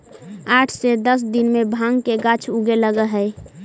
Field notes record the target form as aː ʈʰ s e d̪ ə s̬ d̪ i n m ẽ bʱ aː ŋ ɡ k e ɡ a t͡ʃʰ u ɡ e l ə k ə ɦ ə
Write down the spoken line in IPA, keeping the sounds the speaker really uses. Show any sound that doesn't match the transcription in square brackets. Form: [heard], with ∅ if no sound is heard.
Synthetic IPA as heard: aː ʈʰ s e d̪ ə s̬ d̪ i n m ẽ bʱ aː ŋ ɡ k e ɡ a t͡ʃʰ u ɡ e l ə [ɡ] ə ɦ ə